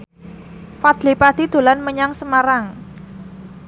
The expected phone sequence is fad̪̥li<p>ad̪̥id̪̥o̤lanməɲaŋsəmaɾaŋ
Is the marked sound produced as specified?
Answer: yes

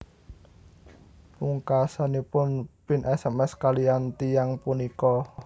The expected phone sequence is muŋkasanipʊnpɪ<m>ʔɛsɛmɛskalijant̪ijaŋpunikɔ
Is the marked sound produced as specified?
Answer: no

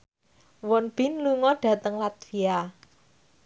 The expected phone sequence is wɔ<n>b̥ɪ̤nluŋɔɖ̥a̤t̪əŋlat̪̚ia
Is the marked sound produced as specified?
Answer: yes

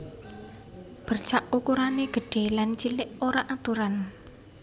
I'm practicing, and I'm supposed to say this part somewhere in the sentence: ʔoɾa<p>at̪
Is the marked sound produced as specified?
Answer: no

